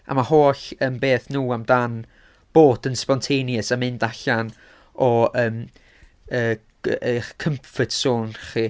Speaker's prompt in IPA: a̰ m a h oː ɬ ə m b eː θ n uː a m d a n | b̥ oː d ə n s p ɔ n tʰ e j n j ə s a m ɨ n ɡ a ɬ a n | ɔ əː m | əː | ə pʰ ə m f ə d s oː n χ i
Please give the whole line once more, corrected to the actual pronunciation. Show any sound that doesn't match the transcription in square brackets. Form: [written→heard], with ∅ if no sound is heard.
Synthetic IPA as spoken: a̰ m a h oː ɬ ə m b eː θ n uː a m d a n | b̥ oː d ə n s p ɔ n tʰ e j n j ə s a m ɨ n [ɡ→d] a ɬ a n | ɔ əː m | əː | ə [pʰ→kʰ] ə m f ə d s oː n χ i